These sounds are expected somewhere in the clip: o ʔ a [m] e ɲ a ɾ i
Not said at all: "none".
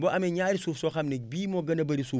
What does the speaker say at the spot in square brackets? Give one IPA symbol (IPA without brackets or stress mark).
m